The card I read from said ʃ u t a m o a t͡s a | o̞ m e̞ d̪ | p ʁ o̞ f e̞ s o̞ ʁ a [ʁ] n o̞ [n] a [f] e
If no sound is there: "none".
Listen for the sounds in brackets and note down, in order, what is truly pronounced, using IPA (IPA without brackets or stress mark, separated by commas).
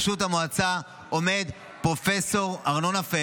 ʁ, n, f